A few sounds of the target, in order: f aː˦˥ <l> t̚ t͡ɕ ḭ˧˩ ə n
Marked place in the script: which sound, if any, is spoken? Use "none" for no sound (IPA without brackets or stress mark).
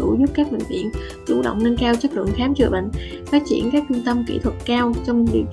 none